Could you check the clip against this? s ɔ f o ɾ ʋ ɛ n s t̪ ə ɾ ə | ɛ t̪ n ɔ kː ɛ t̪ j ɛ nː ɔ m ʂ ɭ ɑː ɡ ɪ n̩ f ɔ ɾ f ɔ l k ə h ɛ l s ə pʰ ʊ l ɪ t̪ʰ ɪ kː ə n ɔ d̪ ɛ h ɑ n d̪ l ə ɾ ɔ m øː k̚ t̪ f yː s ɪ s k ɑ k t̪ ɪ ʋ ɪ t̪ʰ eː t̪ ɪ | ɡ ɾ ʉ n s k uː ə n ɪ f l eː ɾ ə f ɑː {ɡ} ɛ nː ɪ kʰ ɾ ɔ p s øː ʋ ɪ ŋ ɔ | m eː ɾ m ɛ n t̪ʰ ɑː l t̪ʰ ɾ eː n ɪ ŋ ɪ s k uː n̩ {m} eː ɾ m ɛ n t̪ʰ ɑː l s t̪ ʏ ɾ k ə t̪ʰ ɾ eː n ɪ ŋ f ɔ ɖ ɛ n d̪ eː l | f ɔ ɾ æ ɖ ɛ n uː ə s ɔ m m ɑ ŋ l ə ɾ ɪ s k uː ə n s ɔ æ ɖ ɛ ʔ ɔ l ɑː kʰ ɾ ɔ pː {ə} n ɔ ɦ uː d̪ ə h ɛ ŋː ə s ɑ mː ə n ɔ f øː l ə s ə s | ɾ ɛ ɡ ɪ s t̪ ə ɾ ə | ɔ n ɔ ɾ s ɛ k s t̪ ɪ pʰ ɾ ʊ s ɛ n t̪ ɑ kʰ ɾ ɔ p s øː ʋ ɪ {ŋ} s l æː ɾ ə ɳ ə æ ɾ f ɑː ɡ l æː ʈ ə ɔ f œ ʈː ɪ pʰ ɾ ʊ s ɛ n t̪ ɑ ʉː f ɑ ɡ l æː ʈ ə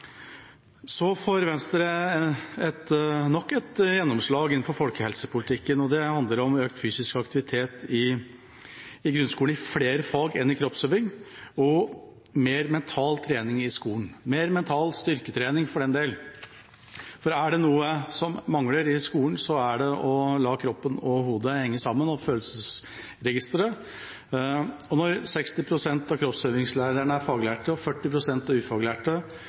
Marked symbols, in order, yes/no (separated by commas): yes, yes, yes, yes